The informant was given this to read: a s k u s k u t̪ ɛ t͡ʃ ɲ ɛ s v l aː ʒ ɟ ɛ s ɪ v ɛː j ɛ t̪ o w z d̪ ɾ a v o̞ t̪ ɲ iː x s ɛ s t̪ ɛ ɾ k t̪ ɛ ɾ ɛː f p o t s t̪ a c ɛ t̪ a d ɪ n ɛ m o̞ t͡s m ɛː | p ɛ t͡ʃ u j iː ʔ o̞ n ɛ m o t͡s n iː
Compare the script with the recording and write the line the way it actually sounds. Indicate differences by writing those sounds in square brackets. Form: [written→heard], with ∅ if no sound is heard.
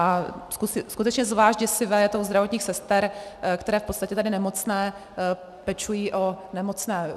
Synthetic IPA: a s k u s k u t̪ ɛ t͡ʃ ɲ ɛ [s→z] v l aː ʒ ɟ ɛ s ɪ v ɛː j ɛ t̪ o w z d̪ ɾ a v o̞ t̪ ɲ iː x s ɛ s t̪ ɛ ɾ k t̪ ɛ ɾ ɛː f p o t s t̪ a c ɛ t̪ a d ɪ n ɛ m o̞ t͡s [m→n] ɛː | p ɛ t͡ʃ u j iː ʔ o̞ n ɛ m o t͡s n [iː→ɛː]